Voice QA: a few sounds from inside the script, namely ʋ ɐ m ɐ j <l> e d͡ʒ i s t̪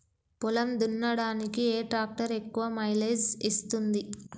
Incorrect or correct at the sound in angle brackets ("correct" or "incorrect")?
correct